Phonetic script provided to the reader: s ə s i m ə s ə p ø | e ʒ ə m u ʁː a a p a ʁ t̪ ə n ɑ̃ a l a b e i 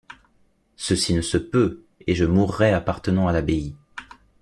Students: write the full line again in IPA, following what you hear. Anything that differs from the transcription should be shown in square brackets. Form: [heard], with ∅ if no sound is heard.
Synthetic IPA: s ə s i [n] ə s ə p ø | e ʒ ə m u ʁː [ɛ] a p a ʁ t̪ ə n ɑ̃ a l a b e i